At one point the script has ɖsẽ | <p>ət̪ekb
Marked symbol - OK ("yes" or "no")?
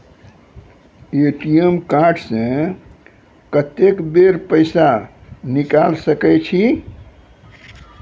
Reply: no